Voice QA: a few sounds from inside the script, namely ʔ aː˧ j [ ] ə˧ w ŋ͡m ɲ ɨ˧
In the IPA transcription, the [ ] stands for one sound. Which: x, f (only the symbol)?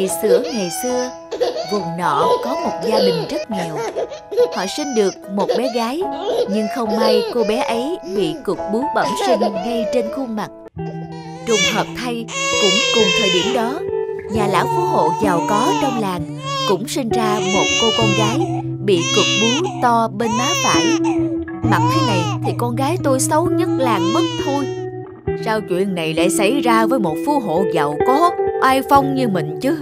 f